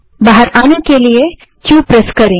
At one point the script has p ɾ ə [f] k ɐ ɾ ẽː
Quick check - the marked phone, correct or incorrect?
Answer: incorrect